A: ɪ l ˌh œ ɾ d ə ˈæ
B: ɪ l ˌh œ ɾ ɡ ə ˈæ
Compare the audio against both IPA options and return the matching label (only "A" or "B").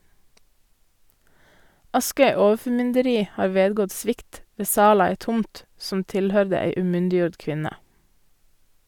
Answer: A